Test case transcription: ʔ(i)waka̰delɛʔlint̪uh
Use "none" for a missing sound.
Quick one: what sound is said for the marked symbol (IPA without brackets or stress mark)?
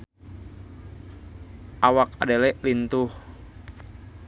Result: a